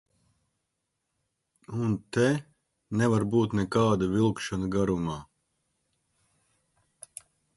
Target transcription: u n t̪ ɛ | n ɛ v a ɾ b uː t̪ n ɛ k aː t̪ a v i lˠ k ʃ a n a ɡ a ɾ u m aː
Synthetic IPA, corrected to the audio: u n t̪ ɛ | n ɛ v a ɾ b uː t̪ n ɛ k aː d̪ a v i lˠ k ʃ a n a ɡ a ɾ u m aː